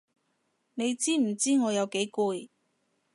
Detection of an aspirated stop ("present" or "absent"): absent